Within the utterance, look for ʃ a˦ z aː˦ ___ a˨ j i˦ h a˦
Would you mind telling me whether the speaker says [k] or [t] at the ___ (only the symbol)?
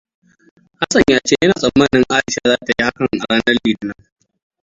t